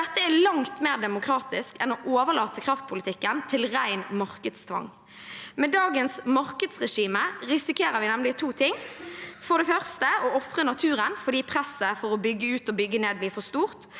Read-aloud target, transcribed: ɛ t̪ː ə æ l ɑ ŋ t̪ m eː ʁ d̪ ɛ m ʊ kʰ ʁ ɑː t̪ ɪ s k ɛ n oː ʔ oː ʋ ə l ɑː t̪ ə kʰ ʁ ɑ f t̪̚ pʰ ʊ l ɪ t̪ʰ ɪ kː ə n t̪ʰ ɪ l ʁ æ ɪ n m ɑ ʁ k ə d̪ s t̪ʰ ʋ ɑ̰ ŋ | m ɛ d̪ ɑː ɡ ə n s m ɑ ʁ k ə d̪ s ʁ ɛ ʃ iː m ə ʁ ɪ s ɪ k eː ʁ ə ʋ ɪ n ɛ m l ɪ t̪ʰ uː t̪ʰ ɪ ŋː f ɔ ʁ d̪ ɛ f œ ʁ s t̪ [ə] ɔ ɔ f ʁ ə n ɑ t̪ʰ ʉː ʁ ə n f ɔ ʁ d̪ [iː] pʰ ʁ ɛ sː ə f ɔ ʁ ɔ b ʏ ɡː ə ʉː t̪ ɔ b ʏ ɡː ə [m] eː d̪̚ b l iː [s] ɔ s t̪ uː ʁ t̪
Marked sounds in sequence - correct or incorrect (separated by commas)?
correct, correct, incorrect, incorrect